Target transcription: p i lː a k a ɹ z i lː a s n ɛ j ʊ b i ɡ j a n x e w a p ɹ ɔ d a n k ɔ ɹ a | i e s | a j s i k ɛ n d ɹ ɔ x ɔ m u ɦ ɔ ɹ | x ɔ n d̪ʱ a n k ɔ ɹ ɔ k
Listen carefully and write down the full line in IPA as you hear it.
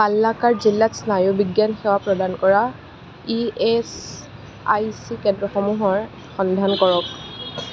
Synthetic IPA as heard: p a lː a k a ɹ z i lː a s n a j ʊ b i ɡ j a n x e w a p ɹ ɔ d a n k ɔ ɹ a | i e s | a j s i k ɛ n d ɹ ɔ x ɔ m u ɦ ɔ ɹ | x ɔ n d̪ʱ a n k ɔ ɹ ɔ k